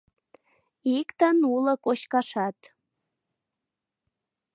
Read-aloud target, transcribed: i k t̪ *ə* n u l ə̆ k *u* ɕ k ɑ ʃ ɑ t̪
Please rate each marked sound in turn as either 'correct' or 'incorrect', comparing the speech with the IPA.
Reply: correct, incorrect

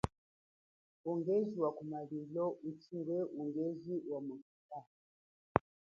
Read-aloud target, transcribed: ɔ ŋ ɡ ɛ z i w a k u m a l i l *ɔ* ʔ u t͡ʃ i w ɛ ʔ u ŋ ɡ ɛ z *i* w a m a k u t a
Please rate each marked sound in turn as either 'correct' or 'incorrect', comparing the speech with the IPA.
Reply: correct, correct

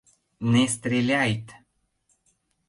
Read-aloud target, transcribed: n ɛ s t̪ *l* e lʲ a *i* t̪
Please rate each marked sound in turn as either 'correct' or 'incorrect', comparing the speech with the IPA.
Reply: incorrect, incorrect

